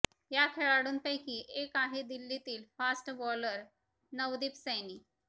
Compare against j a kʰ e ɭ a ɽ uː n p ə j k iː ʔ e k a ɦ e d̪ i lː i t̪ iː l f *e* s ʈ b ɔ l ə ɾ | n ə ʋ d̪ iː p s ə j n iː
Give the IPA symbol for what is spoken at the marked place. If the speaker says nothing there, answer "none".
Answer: a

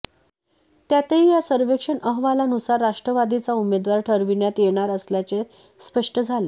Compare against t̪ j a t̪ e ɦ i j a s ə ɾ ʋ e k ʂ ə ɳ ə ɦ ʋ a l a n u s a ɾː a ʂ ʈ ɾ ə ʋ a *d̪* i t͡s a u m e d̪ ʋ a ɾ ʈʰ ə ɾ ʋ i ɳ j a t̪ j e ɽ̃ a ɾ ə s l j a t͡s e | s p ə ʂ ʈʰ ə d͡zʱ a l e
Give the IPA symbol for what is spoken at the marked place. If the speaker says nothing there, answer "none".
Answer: d̪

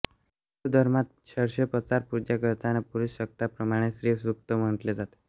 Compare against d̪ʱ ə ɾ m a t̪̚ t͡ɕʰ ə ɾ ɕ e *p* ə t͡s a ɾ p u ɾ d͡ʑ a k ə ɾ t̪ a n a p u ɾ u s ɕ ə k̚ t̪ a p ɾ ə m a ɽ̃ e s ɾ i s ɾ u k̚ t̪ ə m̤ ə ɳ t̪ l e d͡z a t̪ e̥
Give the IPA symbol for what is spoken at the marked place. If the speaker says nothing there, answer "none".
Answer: p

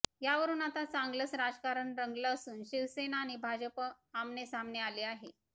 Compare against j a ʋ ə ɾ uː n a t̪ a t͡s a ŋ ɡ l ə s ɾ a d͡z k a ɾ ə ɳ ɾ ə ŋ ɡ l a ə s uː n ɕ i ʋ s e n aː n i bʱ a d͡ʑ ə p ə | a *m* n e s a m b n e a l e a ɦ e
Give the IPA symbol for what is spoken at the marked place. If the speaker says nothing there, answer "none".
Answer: m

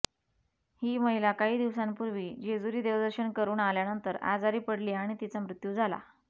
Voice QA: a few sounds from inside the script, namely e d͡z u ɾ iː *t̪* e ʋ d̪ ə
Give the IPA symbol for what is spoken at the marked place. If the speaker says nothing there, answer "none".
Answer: d̪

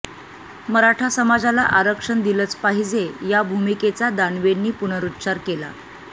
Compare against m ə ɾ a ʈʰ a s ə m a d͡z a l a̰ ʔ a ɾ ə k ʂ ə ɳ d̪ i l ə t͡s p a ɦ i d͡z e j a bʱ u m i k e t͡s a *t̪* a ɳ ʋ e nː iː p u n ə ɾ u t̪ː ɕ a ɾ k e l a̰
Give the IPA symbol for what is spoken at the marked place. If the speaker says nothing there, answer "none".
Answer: d̪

